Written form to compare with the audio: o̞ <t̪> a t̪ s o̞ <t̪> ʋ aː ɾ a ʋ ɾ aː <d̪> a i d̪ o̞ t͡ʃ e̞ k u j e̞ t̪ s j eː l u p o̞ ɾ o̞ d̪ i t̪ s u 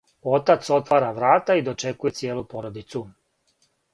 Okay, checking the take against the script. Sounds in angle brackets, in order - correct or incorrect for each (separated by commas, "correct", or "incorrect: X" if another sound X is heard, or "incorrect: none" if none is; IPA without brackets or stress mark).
correct, correct, incorrect: t̪